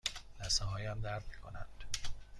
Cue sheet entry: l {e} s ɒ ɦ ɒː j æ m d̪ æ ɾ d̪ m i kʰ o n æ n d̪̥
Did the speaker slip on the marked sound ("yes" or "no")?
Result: yes